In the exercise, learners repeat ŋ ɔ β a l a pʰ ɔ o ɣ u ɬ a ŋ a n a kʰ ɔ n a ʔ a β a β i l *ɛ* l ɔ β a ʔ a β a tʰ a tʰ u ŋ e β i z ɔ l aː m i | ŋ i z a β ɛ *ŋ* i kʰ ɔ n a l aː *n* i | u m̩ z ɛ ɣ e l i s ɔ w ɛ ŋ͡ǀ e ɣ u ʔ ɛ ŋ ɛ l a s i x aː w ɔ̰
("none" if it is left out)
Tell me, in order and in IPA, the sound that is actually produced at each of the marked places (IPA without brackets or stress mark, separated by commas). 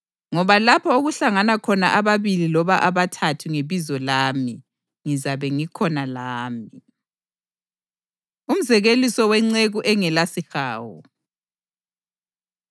i, ŋ, m